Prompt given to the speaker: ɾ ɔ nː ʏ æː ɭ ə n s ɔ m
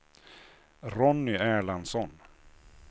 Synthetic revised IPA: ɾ ɔ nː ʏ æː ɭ a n s ɔ n